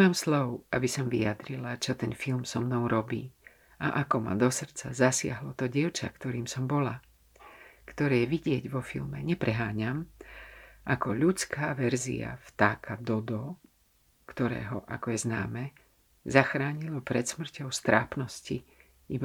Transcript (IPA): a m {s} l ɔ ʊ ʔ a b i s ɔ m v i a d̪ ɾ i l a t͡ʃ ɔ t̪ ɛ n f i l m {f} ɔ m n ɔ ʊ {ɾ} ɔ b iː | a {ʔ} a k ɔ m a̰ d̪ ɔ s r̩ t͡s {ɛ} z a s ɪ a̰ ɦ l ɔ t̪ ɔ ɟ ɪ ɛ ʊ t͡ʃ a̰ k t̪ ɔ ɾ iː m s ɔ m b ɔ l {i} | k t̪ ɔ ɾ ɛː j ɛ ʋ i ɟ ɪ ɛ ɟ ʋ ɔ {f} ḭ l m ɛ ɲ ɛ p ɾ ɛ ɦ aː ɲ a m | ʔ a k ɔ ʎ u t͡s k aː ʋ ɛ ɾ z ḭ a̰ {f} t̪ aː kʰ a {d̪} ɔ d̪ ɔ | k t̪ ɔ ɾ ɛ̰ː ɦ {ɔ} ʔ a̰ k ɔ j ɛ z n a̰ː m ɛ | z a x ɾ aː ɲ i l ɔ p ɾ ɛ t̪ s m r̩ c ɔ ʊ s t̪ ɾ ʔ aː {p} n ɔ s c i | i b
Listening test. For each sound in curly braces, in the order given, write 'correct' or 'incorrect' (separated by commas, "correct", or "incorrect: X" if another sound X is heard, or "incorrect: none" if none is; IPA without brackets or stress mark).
correct, incorrect: s, correct, correct, incorrect: a, incorrect: a, correct, correct, correct, correct, correct